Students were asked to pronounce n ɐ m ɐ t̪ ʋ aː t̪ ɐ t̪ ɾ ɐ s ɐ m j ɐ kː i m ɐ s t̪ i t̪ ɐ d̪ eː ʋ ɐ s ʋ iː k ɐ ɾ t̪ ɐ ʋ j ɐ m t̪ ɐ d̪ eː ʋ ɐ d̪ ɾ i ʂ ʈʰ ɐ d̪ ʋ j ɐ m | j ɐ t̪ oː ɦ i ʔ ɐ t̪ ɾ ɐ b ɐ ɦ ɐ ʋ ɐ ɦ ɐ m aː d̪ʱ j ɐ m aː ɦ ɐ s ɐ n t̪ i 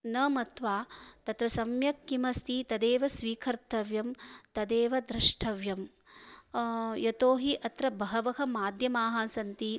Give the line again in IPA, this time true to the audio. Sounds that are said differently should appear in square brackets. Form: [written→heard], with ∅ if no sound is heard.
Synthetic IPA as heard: n ɐ m ɐ t̪ ʋ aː t̪ ɐ t̪ ɾ ɐ s ɐ m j ɐ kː i m ɐ s t̪ i t̪ ɐ d̪ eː ʋ ɐ s ʋ iː [k→kʰ] ɐ ɾ t̪ ɐ ʋ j ɐ m t̪ ɐ d̪ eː ʋ ɐ d̪ ɾ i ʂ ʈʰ ɐ [d̪→∅] ʋ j ɐ m | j ɐ t̪ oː ɦ i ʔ ɐ t̪ ɾ ɐ b ɐ ɦ ɐ ʋ ɐ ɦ ɐ m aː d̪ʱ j ɐ m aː ɦ ɐ s ɐ n t̪ i